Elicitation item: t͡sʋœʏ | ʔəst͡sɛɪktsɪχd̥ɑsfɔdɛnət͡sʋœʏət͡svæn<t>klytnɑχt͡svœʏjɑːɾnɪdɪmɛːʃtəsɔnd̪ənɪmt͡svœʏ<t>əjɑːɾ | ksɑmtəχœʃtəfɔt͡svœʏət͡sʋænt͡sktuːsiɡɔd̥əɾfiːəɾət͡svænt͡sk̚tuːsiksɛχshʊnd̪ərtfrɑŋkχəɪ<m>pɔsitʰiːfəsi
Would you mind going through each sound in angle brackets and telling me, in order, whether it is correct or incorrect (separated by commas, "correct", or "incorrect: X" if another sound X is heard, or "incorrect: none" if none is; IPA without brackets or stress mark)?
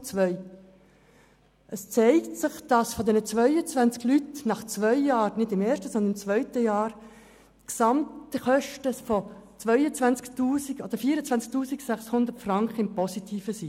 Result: incorrect: t͡s, correct, correct